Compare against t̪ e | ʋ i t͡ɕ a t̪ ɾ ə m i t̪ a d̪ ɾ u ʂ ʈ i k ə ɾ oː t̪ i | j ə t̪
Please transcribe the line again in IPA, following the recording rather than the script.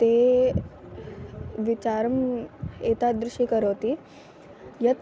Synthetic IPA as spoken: t̪ e | ʋ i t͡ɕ a ɾ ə m e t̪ a d̪ ɾ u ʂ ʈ i k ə ɾ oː t̪ i | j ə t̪